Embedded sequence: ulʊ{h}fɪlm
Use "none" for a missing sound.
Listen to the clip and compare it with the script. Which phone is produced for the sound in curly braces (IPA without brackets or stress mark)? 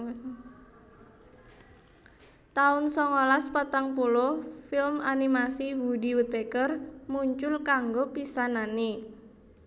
h